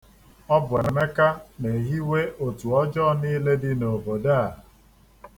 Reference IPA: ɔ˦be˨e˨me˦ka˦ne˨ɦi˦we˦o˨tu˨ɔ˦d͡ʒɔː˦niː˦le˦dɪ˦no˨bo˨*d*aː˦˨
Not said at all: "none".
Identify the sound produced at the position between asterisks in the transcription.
d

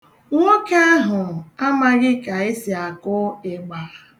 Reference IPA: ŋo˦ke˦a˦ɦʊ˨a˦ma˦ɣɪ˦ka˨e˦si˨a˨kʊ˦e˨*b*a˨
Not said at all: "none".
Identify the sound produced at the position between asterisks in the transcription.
ɡ͡b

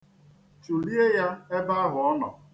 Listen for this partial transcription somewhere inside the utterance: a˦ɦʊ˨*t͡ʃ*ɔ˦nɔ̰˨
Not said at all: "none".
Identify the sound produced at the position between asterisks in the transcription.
none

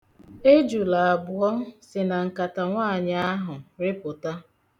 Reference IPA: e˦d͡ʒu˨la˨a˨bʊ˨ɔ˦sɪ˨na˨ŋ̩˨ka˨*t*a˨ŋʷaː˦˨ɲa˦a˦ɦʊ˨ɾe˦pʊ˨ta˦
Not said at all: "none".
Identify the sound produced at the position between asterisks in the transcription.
t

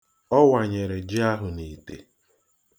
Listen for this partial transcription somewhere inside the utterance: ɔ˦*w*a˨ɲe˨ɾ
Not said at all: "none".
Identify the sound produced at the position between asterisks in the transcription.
w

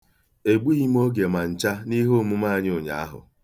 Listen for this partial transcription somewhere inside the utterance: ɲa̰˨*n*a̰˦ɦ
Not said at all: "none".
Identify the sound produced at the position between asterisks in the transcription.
none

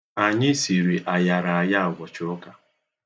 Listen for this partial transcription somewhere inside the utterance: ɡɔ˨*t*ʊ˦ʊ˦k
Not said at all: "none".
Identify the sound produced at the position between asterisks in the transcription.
t͡ʃ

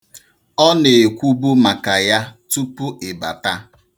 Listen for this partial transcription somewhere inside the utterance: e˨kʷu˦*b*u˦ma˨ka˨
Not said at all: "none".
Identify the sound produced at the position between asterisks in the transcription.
b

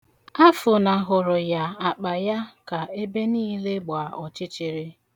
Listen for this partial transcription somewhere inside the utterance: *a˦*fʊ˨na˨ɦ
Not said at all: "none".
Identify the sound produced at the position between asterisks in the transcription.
a˦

